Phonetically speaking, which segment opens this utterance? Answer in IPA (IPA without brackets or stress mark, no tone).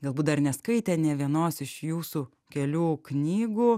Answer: ɡ